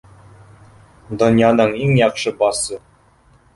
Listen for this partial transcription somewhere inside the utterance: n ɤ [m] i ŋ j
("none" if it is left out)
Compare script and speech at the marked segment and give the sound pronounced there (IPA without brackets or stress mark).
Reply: ɴ